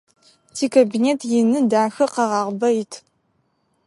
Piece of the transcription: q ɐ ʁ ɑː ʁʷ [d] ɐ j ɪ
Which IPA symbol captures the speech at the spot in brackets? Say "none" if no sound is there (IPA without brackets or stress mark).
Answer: b